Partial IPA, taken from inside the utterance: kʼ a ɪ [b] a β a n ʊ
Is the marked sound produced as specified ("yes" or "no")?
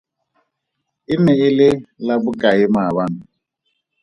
no